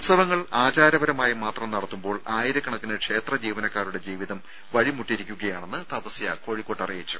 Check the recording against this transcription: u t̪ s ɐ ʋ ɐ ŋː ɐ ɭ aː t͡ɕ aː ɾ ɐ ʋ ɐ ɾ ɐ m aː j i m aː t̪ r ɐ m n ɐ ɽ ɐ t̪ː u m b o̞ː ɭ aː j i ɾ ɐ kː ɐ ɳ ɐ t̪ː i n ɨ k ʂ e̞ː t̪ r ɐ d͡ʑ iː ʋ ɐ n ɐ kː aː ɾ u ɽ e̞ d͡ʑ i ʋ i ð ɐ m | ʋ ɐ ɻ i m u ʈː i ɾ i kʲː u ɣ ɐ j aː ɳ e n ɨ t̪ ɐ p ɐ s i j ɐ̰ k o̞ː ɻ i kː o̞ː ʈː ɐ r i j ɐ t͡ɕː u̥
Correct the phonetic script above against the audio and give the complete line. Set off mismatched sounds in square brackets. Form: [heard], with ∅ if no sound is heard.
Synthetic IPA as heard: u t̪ s ɐ ʋ ɐ ŋː ɐ ɭ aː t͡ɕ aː ɾ ɐ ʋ ɐ ɾ ɐ m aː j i m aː t̪ r ɐ m n ɐ ɽ ɐ t̪ː u m b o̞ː ɭ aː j i ɾ ɐ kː ɐ ɳ ɐ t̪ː i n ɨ k ʂ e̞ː t̪ r ɐ d͡ʑ iː ʋ ɐ n ɐ kː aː ɾ u ɽ e̞ d͡ʑ [iː] ʋ i ð ɐ m | ʋ ɐ ɻ i m u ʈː i ɾ i kʲː u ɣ ɐ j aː ɳ e [nː] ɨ t̪ ɐ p ɐ s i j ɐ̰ k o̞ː ɻ i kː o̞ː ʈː ɐ r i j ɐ t͡ɕː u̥

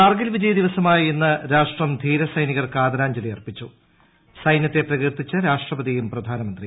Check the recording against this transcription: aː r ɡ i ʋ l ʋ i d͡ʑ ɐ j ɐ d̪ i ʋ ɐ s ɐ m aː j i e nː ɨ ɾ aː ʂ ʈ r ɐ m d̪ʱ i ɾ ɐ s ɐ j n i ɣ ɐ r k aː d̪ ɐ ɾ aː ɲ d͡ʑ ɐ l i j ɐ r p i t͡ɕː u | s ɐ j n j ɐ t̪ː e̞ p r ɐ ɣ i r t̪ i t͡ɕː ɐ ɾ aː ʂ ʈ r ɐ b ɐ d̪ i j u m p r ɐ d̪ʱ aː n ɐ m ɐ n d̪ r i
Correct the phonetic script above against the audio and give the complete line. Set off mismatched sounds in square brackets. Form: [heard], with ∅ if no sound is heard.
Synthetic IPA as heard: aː r ɡ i [∅] l ʋ i d͡ʑ ɐ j ɐ d̪ i ʋ ɐ s ɐ m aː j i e nː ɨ ɾ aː ʂ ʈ r ɐ m d̪ʱ [iː] ɾ ɐ s ɐ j n i ɣ ɐ r k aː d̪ ɐ ɾ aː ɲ d͡ʑ ɐ l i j ɐ r p i t͡ɕː u | s ɐ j n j ɐ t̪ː e̞ p r ɐ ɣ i r t̪ i t͡ɕː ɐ ɾ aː ʂ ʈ r ɐ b ɐ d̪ i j u m p r ɐ d̪ʱ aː n ɐ m ɐ n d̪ r i

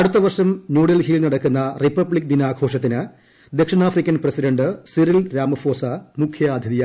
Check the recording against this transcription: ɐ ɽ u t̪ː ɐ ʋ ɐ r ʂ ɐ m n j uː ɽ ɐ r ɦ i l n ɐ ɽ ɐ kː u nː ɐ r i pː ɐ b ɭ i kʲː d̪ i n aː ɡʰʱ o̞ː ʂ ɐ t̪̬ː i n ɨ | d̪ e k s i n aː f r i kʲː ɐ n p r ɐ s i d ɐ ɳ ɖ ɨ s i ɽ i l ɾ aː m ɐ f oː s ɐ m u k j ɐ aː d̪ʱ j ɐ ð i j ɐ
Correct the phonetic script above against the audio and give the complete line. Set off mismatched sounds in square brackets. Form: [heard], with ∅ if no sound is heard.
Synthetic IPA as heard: ɐ ɽ u t̪ː ɐ ʋ ɐ r ʂ ɐ m n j uː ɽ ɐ [l] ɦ i l n ɐ ɽ ɐ kː u nː ɐ r i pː ɐ b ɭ i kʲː d̪ i n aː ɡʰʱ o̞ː ʂ ɐ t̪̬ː i n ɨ | d̪ e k [ʂ] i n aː f r i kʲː ɐ n p r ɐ s i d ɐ ɳ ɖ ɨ s i [ɾ] i l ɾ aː m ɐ f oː s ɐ m u [kʰ] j ɐ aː d̪ʱ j ɐ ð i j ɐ

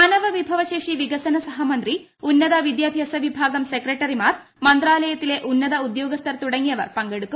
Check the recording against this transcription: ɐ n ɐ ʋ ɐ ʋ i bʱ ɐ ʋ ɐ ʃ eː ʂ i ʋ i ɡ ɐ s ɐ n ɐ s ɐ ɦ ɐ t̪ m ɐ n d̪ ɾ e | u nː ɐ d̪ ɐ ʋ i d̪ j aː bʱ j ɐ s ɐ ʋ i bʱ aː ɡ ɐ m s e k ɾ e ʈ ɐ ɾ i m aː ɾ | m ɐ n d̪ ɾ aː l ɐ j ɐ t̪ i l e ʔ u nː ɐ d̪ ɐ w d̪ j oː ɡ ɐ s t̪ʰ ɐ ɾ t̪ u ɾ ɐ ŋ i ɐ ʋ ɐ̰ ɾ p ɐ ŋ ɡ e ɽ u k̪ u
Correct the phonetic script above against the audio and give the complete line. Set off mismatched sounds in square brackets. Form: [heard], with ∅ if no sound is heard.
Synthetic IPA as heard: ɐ n ɐ ʋ ɐ ʋ i bʱ ɐ ʋ ɐ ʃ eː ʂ i ʋ i ɡ ɐ s ɐ n ɐ s ɐ ɦ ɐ [∅] m ɐ n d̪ ɾ [i] | u nː ɐ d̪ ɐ ʋ i d̪ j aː bʱ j ɐ s ɐ ʋ i bʱ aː ɡ ɐ m s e k ɾ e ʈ ɐ ɾ i m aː ɾ | m ɐ n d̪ ɾ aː l ɐ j ɐ t̪ i l e ʔ u nː ɐ d̪ ɐ [u] d̪ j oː ɡ ɐ s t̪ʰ ɐ ɾ t̪ u [ɽ] ɐ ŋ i ɐ ʋ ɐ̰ ɾ p ɐ ŋ ɡ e ɽ u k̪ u

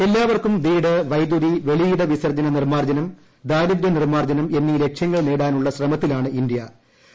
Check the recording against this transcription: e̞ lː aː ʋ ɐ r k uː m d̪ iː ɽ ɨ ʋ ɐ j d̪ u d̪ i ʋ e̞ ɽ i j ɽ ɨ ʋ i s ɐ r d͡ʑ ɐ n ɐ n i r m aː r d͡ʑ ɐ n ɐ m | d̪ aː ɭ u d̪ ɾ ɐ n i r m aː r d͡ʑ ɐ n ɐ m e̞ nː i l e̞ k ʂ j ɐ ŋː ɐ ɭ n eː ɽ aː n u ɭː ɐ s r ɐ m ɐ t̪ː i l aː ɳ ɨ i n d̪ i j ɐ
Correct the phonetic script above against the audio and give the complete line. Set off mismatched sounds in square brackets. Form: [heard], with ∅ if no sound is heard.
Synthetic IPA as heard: e̞ lː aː ʋ ɐ r k [u] m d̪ iː ɽ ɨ ʋ ɐ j d̪ u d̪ i ʋ e̞ [ɭ] i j ɽ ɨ ʋ i s ɐ r d͡ʑ ɐ n ɐ n i r m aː r d͡ʑ ɐ n ɐ m | d̪ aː [ɾ] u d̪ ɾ ɐ n i r m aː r d͡ʑ ɐ n ɐ m e̞ nː i l e̞ k ʂ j ɐ ŋː ɐ ɭ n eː ɽ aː n u ɭː ɐ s r ɐ m ɐ t̪ː i l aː ɳ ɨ i n d̪ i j ɐ

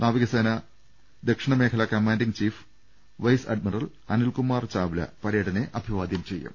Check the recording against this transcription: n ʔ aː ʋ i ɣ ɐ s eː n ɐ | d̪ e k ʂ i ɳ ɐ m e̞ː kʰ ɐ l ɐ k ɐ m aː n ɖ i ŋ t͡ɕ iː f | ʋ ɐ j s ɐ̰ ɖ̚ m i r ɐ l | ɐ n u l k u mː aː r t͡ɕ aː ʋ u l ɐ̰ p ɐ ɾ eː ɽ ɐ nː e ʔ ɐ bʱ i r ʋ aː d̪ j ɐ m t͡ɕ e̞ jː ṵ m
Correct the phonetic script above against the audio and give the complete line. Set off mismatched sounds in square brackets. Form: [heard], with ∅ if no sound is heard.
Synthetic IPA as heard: n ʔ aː ʋ i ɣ ɐ s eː n ɐ | d̪ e k ʂ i ɳ ɐ m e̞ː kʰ ɐ l ɐ k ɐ m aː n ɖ i ŋ t͡ɕ iː f | ʋ ɐ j s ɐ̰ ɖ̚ m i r ɐ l | ɐ n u l k u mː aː r t͡ɕ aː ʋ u l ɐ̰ p ɐ ɾ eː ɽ ɐ [n] e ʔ ɐ bʱ i [∅] ʋ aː d̪ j ɐ m t͡ɕ e̞ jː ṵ m

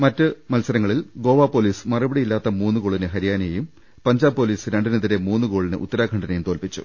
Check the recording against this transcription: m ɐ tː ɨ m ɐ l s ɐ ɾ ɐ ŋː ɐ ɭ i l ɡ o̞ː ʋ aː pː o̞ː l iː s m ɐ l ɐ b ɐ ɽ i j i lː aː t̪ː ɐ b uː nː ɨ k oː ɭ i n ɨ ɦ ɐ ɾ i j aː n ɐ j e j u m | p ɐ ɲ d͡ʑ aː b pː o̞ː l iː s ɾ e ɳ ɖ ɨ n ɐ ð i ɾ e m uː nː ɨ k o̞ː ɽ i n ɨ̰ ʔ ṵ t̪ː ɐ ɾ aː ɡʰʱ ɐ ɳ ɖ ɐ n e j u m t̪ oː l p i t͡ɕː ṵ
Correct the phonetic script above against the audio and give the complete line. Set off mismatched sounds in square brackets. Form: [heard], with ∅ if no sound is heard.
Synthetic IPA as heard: m ɐ tː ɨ m ɐ l s ɐ ɾ ɐ ŋː ɐ ɭ i l ɡ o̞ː ʋ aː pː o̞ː l iː s m ɐ [r] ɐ b ɐ ɽ i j i lː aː t̪ː ɐ [m] uː nː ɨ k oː ɭ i n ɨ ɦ ɐ ɾ i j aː n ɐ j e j u m | p ɐ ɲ d͡ʑ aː b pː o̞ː l iː s ɾ e ɳ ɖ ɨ n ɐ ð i ɾ e m uː nː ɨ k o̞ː [ɭ] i n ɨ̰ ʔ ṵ t̪ː ɐ ɾ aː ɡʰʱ ɐ ɳ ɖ ɐ n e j u m t̪ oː l p i t͡ɕː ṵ

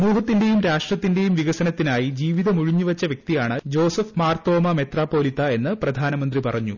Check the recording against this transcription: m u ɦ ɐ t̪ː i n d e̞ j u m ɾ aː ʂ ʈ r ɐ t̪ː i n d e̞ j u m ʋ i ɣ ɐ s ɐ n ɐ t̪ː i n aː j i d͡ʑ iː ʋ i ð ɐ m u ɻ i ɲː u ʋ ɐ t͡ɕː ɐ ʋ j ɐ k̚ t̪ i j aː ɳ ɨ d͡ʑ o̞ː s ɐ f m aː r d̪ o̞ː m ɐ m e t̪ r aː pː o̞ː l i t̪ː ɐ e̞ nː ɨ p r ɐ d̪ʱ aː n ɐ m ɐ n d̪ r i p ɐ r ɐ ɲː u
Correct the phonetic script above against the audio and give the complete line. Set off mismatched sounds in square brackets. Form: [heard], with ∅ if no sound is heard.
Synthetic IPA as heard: m [uː] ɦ ɐ t̪ː i n d e̞ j u m ɾ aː ʂ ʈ r ɐ t̪ː i n d e̞ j u m ʋ i ɣ ɐ s ɐ n ɐ t̪ː i n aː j i d͡ʑ iː ʋ i ð ɐ m u ɻ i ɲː u ʋ ɐ t͡ɕː ɐ ʋ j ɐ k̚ t̪ i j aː ɳ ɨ d͡ʑ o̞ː s ɐ f m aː r [t̪] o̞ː m ɐ m e t̪ r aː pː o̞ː l i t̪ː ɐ e̞ nː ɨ p r ɐ d̪ʱ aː n ɐ m ɐ n d̪ r i p ɐ r ɐ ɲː u

